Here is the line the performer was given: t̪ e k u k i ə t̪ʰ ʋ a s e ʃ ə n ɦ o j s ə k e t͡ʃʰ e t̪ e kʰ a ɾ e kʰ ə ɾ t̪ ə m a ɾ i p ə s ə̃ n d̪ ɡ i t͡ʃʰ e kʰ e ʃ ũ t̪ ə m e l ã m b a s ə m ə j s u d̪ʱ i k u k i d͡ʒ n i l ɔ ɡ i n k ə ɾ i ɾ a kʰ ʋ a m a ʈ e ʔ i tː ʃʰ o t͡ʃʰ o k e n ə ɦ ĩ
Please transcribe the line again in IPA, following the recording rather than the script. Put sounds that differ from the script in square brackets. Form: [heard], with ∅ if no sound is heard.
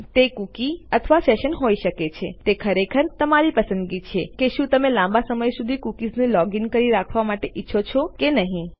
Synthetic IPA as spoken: t̪ e k u k i ə t̪ʰ ʋ a s e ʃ ə n ɦ o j [ʃ] ə k e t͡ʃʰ e t̪ e kʰ [ə] ɾ e kʰ ə ɾ t̪ ə m a ɾ i p ə s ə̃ n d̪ ɡ i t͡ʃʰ e [k] e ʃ ũ t̪ ə m e l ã m b a s ə m ə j s u d̪ʱ i k u k i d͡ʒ n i l ɔ ɡ i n k ə ɾ i ɾ a kʰ ʋ a m a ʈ e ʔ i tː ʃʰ o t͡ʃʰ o k e n ə ɦ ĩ